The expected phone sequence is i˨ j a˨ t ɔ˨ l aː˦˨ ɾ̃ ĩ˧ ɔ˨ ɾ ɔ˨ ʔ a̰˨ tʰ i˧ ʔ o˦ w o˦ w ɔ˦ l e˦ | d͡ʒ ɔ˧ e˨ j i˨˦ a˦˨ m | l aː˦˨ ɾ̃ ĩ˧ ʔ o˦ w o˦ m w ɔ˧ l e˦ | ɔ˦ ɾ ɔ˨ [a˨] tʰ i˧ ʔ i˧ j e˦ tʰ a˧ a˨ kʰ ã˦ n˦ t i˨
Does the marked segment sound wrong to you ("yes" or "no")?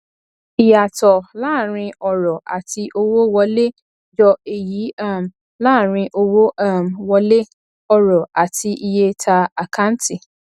no